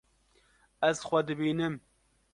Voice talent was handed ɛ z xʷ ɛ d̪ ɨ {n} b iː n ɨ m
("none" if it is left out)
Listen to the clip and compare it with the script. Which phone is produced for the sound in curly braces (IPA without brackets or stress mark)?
none